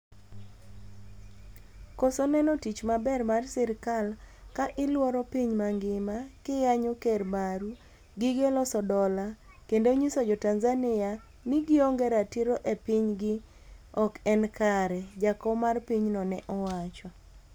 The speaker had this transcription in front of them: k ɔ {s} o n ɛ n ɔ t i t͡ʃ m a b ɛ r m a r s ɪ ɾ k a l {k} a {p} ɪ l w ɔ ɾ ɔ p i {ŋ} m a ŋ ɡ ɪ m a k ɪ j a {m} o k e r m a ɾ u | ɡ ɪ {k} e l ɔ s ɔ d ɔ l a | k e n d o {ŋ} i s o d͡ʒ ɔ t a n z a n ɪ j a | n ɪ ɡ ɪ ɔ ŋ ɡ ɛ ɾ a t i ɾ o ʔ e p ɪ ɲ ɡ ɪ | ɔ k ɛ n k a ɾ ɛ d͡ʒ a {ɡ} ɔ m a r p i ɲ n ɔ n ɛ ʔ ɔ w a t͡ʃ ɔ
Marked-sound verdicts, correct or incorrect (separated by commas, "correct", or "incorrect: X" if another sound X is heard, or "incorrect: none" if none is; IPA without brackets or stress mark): correct, correct, incorrect: ʔ, incorrect: ɲ, incorrect: ɲ, incorrect: ɡ, incorrect: ɲ, incorrect: k